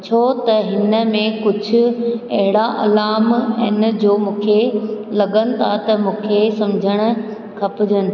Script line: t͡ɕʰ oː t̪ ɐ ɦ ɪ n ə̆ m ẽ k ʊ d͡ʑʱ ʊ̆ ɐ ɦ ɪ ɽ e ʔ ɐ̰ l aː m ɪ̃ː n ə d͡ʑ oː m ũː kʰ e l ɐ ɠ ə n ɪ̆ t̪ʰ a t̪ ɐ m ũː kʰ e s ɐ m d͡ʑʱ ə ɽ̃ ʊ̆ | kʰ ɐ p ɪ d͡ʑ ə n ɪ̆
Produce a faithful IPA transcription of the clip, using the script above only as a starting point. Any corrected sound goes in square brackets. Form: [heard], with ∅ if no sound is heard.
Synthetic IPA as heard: t͡ɕʰ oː t̪ ɐ ɦ ɪ n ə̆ m ẽ k ʊ d͡ʑʱ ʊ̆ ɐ ɦ ɪ ɽ [a] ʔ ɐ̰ l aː m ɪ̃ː n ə d͡ʑ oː m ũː kʰ e l ɐ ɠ ə n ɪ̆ t̪ʰ a t̪ ɐ m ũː kʰ e s ɐ m d͡ʑʱ ə ɽ̃ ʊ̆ | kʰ ɐ p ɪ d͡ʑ ə n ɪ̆

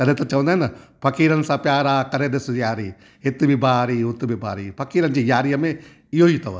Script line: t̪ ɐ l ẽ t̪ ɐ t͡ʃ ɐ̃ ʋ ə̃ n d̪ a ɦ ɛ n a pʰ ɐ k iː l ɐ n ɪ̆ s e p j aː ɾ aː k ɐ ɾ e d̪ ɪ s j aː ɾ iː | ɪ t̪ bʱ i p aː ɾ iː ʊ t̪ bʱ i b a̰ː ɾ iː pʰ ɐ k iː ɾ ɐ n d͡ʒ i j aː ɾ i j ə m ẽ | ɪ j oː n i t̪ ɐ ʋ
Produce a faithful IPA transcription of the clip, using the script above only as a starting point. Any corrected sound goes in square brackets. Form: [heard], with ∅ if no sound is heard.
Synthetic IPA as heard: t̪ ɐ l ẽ t̪ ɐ t͡ʃ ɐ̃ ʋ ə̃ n d̪ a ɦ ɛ n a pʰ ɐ k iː [ɾ] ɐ n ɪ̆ s [a] p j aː ɾ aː k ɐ ɾ e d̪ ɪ s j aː ɾ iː | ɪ t̪ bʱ i [b] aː ɾ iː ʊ t̪ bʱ i b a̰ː ɾ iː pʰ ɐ k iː ɾ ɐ n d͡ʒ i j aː ɾ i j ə m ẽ | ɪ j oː [∅] i t̪ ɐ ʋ

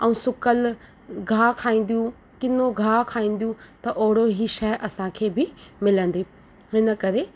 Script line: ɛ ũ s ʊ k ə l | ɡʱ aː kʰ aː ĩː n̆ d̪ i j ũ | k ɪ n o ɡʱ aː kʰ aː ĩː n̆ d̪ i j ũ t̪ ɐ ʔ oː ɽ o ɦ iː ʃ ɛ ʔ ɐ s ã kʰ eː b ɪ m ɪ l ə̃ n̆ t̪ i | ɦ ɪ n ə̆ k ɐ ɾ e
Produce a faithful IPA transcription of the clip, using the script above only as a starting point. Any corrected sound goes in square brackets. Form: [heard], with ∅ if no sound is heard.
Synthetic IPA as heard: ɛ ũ s ʊ k ə l | ɡʱ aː kʰ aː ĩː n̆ d̪ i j ũ | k ɪ n o ɡʱ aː kʰ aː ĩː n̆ d̪ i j ũ t̪ ɐ ʔ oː ɽ o ɦ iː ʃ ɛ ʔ ɐ s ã kʰ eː b ɪ m ɪ l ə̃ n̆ [d̪] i | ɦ ɪ n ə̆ k ɐ ɾ e

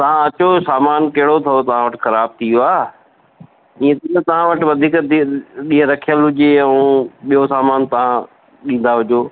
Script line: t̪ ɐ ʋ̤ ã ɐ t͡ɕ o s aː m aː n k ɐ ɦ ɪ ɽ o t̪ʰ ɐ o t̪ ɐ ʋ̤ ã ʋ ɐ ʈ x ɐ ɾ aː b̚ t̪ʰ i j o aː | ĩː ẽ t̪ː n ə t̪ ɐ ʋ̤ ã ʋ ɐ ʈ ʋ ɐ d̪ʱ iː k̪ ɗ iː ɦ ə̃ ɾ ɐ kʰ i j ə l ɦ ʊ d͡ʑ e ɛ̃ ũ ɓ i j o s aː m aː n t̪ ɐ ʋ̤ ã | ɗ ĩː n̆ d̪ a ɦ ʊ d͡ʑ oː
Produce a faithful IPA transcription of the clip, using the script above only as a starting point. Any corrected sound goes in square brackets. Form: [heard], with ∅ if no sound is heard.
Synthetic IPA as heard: t̪ ɐ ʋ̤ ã ɐ t͡ɕ o s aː m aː n k ɐ ɦ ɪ ɽ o t̪ʰ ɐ o t̪ ɐ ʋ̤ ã ʋ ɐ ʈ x ɐ ɾ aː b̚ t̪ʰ i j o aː | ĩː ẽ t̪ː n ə t̪ ɐ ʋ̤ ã ʋ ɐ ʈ ʋ ɐ d̪ʱ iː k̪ ɗ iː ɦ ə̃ ɾ ɐ kʰ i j ə l ɦ ʊ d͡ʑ e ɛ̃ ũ ɓ i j o s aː m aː n t̪ ɐ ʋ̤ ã | ɗ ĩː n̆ d̪ a ɦ ʊ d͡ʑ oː

